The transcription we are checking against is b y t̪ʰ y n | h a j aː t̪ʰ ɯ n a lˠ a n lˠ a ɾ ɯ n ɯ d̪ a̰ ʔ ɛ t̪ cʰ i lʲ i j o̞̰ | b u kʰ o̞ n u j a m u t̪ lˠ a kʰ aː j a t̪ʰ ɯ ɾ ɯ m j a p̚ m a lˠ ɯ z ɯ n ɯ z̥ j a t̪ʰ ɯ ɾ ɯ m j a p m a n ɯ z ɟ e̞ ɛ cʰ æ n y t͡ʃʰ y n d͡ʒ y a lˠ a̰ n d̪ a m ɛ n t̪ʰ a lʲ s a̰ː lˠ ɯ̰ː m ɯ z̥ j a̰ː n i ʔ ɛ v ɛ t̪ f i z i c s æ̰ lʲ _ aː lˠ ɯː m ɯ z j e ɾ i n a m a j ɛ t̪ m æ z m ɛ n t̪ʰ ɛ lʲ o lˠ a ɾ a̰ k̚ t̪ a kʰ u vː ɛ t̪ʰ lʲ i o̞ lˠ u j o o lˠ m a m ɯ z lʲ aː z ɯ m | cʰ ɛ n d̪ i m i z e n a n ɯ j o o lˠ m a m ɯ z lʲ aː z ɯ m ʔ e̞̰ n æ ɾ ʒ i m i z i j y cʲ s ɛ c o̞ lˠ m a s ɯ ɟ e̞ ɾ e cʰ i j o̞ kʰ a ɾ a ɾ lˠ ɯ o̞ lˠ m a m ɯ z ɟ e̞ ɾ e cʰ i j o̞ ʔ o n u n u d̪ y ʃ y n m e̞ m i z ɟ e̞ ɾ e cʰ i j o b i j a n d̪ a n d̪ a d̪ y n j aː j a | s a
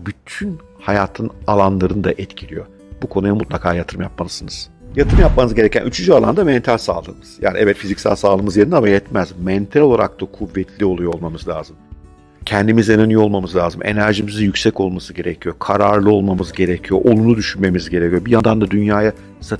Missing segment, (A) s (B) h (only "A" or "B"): A